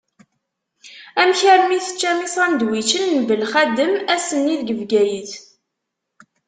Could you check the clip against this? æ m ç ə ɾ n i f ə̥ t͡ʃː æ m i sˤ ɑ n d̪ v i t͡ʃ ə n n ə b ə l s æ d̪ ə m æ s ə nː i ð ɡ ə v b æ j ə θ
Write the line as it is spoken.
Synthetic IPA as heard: æ m ç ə ɾ m i θ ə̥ t͡ʃː æ m i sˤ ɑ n d̪ w i t͡ʃ ə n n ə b ə l χ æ d̪ ə m æ s ə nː i ð ɡ ə v ɡ æ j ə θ